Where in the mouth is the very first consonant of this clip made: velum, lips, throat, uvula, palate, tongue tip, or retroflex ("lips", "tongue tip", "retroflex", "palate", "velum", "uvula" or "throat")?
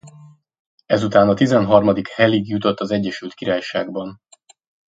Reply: tongue tip